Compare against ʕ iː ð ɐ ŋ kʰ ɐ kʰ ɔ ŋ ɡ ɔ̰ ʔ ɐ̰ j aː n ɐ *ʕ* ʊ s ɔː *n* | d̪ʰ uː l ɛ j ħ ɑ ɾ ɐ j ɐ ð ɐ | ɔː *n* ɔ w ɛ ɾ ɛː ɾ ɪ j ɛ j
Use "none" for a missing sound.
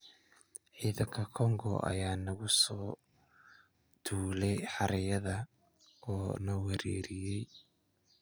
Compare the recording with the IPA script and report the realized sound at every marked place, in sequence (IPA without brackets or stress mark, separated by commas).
ɣ, none, n